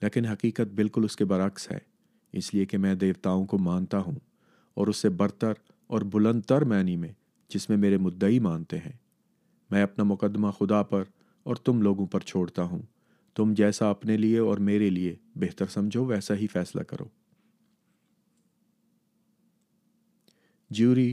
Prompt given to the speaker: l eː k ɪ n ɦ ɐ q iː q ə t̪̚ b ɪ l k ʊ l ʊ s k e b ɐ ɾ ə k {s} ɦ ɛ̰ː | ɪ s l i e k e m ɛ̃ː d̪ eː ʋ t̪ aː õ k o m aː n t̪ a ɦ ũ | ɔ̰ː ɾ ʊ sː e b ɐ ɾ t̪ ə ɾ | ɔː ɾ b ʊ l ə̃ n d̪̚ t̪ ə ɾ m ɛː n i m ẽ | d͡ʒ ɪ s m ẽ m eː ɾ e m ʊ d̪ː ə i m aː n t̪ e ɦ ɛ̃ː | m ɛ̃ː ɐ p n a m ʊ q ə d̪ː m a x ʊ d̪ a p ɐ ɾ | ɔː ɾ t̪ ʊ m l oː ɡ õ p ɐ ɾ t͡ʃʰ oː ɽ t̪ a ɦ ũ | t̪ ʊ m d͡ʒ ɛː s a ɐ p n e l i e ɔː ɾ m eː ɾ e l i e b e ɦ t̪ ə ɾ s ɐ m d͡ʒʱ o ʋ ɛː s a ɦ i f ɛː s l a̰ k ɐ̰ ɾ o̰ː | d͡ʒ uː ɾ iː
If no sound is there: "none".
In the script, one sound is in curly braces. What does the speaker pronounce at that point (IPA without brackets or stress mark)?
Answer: s